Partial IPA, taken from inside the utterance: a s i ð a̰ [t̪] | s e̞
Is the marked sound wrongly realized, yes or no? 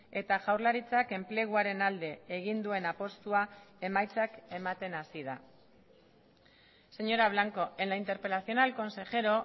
yes